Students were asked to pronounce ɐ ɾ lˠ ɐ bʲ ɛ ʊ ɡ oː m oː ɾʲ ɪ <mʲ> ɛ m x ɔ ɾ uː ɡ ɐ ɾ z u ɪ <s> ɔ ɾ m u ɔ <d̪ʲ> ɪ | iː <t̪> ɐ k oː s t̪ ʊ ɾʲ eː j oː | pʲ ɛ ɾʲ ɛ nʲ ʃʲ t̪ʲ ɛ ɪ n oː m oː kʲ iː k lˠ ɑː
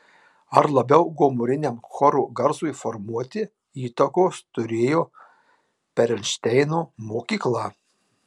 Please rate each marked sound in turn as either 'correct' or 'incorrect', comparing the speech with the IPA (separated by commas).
incorrect, incorrect, incorrect, correct